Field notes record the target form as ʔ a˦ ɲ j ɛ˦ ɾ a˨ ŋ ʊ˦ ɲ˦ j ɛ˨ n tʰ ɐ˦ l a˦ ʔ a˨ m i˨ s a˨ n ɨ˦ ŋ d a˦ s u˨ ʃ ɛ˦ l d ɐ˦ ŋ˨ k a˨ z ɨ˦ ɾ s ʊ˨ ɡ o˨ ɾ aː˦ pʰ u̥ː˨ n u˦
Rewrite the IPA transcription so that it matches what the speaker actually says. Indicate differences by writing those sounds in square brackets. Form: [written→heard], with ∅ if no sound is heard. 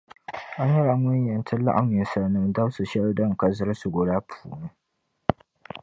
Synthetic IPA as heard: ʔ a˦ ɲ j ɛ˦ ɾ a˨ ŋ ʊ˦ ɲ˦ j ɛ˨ n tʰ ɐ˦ l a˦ ʔ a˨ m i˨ s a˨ n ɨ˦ [ŋ→m] d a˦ s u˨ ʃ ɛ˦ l d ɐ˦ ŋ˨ k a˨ z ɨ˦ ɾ s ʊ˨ ɡ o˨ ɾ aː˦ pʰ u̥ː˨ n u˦